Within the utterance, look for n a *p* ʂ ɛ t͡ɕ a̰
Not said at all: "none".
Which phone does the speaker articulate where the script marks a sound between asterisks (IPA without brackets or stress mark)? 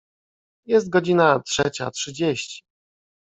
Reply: t